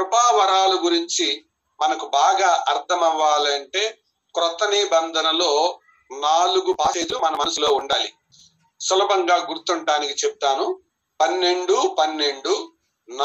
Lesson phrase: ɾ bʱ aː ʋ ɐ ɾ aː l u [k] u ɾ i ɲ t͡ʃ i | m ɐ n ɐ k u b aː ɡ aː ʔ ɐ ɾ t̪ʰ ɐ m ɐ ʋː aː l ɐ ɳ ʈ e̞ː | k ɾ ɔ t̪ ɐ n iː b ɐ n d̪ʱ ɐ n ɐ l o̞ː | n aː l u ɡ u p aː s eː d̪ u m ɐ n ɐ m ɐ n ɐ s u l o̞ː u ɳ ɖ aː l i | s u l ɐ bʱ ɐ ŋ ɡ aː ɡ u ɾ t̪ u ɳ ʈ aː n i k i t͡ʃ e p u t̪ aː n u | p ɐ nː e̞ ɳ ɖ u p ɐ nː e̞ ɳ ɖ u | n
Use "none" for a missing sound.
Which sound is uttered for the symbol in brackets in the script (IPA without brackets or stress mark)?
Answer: ɡ